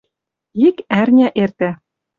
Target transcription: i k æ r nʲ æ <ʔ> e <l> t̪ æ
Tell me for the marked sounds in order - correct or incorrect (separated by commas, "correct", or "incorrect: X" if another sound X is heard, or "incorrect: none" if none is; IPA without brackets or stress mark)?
correct, incorrect: r